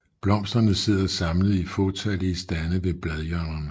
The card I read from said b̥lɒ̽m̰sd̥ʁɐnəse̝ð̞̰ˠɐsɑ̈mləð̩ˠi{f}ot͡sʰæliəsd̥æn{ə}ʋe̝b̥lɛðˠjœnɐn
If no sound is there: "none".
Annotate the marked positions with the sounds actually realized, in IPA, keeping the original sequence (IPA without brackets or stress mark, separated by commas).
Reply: f, ə